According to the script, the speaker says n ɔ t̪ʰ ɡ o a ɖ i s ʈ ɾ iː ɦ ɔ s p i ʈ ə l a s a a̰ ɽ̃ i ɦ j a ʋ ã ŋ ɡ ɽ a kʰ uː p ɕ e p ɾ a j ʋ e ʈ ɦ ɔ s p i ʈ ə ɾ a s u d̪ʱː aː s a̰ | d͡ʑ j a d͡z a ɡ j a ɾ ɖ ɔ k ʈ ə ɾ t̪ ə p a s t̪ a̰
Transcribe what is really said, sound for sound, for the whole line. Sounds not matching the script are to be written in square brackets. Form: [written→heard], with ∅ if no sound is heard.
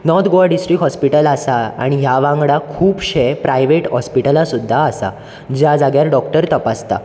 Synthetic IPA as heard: n ɔ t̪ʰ ɡ o a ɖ i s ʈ ɾ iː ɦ ɔ s p i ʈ ə l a s a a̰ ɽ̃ i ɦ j a ʋ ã ŋ ɡ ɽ a kʰ uː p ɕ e p ɾ a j ʋ e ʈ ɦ ɔ s p i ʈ ə [ɾ→l] a s u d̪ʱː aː s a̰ | d͡ʑ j a d͡z a ɡ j a ɾ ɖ ɔ k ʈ ə ɾ t̪ ə p a s t̪ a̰